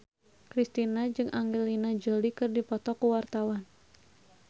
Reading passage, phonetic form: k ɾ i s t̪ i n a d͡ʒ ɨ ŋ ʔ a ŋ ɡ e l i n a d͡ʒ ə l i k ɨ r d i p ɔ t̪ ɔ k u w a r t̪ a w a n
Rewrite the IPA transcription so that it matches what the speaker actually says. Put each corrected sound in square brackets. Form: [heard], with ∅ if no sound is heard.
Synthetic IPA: k ɾ i s t̪ i n a d͡ʒ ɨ ŋ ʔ a ŋ ɡ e l i n a d͡ʒ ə l i k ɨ r d i p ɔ t̪ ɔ k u w a r t̪ a w a n